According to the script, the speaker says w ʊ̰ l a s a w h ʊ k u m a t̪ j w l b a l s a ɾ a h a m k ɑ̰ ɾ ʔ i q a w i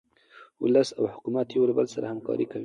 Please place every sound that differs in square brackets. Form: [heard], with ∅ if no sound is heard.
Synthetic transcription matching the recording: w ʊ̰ l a s a w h ʊ k u m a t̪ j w l b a l s a ɾ a h a m k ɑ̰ ɾ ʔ i [k] a w i